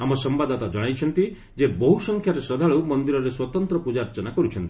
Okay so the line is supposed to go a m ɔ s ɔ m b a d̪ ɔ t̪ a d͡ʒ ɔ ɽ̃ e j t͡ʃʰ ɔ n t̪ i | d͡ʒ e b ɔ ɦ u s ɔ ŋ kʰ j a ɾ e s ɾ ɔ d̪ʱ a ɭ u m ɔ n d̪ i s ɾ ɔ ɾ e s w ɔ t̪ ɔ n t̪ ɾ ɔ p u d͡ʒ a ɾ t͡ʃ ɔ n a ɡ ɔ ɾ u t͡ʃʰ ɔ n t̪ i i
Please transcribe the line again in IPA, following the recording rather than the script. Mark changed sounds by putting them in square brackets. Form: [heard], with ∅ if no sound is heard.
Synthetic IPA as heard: a m ɔ s ɔ m b a d̪ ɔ t̪ a d͡ʒ ɔ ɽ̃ [a] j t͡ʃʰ ɔ n t̪ i | d͡ʒ e b ɔ ɦ u s ɔ ŋ kʰ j a ɾ e s ɾ ɔ d̪ʱ a ɭ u m ɔ n d̪ i [∅] ɾ ɔ ɾ e s w ɔ t̪ ɔ n t̪ ɾ ɔ p u d͡ʒ a ɾ t͡ʃ ɔ n a [k] ɔ ɾ u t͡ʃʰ ɔ n t̪ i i